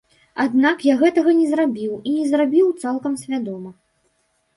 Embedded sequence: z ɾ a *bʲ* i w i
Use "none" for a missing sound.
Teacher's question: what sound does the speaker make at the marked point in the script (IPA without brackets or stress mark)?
bʲ